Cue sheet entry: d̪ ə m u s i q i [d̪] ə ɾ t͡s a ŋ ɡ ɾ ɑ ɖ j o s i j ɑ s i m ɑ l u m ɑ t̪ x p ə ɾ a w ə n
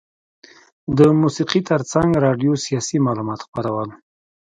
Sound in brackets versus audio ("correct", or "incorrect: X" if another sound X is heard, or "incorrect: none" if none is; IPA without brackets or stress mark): incorrect: t̪